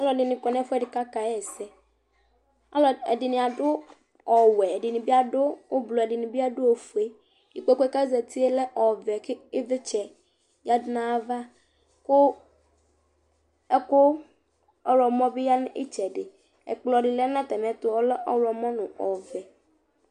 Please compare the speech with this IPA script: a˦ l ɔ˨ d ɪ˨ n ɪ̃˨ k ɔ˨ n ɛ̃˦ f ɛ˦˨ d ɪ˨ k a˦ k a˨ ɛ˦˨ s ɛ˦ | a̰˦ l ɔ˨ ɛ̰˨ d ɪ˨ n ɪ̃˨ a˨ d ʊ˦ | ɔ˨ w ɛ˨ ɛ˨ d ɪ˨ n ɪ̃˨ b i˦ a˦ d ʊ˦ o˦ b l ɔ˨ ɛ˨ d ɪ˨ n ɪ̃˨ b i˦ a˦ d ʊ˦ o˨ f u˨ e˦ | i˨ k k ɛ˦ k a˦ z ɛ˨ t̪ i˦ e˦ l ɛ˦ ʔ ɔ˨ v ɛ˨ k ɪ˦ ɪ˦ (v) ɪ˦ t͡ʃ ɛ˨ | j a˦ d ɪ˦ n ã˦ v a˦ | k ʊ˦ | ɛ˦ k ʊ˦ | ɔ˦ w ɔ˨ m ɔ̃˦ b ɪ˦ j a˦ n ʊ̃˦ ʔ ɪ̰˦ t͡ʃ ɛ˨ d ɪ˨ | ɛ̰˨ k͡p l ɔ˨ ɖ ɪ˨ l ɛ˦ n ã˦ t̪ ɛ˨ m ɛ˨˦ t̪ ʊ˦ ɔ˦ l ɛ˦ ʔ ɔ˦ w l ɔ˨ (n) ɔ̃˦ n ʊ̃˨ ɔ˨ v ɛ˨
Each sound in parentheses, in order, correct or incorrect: correct, incorrect: m

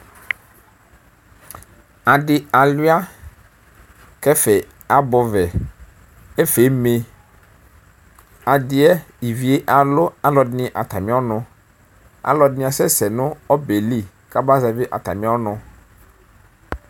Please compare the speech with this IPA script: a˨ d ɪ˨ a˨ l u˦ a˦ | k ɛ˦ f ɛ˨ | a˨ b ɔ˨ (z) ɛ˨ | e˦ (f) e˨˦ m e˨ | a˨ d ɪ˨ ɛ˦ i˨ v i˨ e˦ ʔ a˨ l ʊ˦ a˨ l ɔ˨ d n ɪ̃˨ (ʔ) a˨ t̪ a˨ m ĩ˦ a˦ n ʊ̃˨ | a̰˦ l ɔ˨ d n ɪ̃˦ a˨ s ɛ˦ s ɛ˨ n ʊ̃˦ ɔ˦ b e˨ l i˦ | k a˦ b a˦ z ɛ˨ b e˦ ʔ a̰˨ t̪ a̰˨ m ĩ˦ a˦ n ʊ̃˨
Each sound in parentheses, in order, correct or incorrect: incorrect: v, correct, correct

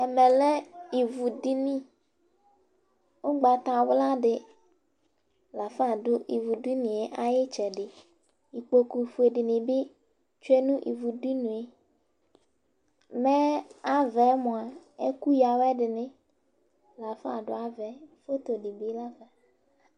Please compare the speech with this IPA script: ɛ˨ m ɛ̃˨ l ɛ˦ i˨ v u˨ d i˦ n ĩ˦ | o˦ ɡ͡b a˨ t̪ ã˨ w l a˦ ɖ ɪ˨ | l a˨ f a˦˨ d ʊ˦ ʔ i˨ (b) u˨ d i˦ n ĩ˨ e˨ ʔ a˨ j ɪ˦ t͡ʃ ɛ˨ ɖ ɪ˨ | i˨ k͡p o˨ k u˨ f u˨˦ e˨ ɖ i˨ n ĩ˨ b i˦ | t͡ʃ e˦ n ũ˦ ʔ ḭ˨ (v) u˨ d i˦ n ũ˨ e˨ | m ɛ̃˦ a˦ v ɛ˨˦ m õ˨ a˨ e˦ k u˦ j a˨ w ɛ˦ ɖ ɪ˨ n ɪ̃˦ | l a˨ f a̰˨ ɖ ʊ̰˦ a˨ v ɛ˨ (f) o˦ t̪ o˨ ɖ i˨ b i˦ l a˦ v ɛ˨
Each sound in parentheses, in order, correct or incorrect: incorrect: v, correct, correct

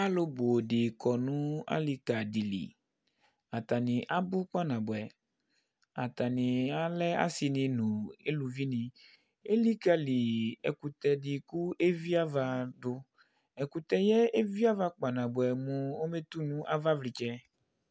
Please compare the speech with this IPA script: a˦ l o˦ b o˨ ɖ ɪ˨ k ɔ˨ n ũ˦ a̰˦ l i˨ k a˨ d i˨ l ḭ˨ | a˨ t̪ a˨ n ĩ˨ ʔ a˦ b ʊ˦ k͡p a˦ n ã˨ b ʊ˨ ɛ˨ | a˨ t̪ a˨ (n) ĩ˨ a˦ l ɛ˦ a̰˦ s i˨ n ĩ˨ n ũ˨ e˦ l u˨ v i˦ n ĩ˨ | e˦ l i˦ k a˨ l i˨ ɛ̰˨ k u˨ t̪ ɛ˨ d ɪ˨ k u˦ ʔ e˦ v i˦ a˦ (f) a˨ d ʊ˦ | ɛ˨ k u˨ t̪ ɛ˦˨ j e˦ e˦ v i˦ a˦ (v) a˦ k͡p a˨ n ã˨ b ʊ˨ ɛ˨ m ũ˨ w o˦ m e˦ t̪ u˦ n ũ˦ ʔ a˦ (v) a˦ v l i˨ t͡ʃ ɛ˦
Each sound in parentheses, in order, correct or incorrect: correct, incorrect: v, correct, correct

